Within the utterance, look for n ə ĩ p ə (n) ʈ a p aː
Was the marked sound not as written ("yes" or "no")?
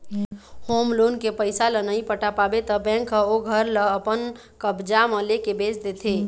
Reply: yes